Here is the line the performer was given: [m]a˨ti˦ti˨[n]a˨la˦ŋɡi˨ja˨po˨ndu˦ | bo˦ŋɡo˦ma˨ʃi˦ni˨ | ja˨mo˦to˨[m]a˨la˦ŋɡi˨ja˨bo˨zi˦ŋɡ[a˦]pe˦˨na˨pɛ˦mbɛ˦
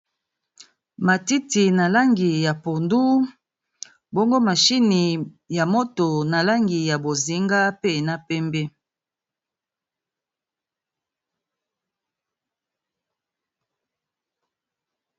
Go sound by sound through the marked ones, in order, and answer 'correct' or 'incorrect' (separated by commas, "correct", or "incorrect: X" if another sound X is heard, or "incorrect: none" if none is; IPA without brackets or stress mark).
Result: correct, correct, incorrect: n, correct